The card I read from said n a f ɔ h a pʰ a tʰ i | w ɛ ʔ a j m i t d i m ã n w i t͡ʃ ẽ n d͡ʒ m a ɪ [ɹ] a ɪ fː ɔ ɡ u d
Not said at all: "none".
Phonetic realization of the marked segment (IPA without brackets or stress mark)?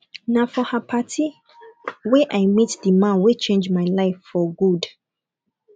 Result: l